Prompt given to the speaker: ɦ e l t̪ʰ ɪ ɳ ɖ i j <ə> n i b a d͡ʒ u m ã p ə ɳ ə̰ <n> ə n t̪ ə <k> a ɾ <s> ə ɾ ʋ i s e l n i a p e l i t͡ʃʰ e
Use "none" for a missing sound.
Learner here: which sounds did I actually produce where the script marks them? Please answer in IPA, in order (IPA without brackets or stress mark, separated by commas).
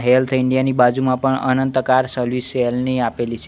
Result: a, n, k, s